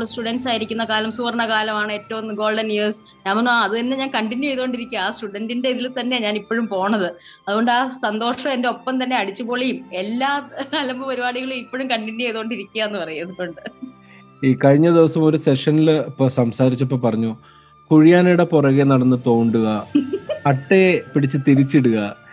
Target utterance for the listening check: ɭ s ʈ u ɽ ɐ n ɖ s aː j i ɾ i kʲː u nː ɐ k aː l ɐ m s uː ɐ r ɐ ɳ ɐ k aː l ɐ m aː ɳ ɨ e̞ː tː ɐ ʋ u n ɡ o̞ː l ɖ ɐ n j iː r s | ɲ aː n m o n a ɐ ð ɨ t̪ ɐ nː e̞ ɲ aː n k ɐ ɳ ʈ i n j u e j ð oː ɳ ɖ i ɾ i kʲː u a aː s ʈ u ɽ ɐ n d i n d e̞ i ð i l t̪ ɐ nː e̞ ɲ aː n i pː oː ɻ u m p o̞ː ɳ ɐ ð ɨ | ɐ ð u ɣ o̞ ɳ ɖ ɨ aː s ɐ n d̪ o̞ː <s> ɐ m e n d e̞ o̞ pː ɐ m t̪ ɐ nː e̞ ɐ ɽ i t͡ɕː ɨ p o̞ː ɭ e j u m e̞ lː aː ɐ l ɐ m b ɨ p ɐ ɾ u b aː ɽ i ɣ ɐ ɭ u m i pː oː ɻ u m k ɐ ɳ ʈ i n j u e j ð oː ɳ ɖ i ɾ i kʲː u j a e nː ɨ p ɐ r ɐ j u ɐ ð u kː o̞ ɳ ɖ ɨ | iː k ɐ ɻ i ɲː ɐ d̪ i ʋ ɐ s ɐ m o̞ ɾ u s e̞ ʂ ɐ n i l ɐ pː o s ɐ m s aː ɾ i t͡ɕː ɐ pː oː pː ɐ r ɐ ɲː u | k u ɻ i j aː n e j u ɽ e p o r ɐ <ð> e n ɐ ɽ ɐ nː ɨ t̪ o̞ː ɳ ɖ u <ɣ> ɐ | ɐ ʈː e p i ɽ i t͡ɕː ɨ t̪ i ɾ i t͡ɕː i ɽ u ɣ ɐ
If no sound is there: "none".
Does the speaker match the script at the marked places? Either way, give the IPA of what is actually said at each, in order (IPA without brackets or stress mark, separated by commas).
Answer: ʂ, ɣ, ɣ